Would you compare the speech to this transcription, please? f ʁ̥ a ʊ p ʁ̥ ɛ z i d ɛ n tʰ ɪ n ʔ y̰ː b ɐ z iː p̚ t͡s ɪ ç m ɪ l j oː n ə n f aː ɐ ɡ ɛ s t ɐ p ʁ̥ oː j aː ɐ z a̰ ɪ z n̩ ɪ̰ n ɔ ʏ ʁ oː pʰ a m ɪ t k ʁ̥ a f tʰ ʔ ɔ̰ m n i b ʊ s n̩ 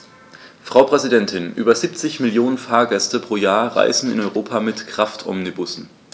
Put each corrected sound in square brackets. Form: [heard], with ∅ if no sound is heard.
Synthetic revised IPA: f ʁ̥ a ʊ p ʁ̥ ɛ z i d ɛ n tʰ ɪ n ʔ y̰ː b ɐ z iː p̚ t͡s ɪ ç m ɪ l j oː n ə n f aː ɐ ɡ ɛ s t [ə] p ʁ̥ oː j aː ɐ [ʁ] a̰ ɪ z n̩ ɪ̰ n ɔ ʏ ʁ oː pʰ a m ɪ t k ʁ̥ a f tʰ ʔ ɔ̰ m n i b ʊ s n̩